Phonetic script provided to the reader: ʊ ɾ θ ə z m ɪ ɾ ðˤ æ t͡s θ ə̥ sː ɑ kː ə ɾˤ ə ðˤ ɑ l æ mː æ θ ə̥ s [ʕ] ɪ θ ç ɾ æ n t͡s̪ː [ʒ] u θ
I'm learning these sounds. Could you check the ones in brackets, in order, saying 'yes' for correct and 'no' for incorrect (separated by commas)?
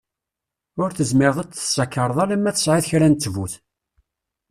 yes, no